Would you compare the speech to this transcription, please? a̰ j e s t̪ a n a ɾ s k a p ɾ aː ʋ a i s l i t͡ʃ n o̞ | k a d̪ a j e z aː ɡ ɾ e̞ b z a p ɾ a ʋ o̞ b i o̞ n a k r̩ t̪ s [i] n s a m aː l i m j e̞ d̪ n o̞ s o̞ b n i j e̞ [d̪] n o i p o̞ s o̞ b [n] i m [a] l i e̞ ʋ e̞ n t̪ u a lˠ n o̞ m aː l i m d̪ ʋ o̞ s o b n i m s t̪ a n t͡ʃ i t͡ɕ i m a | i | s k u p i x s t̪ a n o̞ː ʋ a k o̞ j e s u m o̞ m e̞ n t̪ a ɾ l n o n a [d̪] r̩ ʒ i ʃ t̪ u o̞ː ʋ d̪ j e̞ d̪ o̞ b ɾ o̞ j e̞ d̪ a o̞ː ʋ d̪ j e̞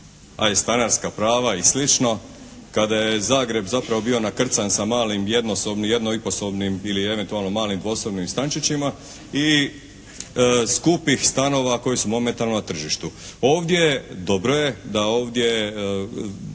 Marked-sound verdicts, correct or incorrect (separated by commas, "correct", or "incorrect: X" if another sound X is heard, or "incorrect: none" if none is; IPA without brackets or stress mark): incorrect: a, correct, correct, incorrect: i, incorrect: t̪